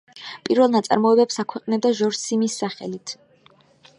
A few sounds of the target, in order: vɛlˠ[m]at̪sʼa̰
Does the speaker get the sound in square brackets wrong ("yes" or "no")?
yes